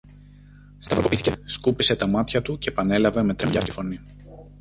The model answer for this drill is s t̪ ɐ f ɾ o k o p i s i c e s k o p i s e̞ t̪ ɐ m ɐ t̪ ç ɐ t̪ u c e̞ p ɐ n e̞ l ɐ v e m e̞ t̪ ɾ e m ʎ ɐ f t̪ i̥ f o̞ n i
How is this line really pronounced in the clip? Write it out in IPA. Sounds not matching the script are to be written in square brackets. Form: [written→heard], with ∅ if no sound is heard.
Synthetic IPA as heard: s t̪ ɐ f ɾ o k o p i [s→θ] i c e s k [o→u] p i s e̞ t̪ ɐ m ɐ t̪ ç ɐ t̪ u c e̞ p ɐ n e̞ l ɐ v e m e̞ t̪ ɾ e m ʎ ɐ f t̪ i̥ f o̞ n i